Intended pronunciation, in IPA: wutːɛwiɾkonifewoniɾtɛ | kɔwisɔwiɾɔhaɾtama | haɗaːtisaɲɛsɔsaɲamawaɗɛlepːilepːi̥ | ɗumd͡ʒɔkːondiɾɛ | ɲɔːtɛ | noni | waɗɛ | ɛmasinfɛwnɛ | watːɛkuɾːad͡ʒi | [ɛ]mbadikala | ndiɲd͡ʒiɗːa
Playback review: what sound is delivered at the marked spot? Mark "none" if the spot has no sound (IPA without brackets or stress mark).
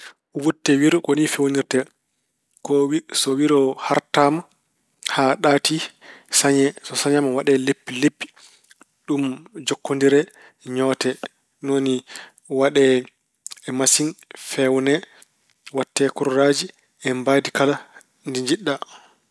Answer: ɛ